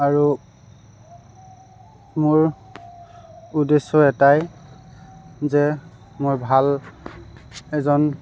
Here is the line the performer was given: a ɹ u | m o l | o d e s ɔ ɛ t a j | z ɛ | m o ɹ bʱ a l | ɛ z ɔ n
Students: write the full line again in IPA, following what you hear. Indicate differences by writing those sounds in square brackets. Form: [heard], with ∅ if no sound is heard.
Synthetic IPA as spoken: a ɹ u | m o [ɹ] | [u] d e s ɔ ɛ t a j | z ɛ | m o ɹ bʱ a l | ɛ z ɔ n